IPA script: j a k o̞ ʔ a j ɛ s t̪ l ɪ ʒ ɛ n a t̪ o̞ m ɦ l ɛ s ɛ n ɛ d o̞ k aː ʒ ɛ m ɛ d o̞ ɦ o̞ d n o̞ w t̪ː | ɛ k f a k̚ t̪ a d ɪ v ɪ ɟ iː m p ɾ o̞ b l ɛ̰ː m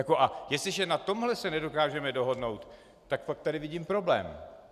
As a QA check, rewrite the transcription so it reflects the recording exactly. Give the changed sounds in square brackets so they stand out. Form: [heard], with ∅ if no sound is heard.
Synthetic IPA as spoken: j a k o̞ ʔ a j ɛ s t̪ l ɪ ʒ ɛ n a t̪ o̞ m ɦ l ɛ s ɛ n ɛ d o̞ k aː ʒ ɛ m ɛ d o̞ ɦ o̞ d n o̞ w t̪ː | [a] k f a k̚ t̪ a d ɪ v ɪ ɟ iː m p ɾ o̞ b l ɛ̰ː m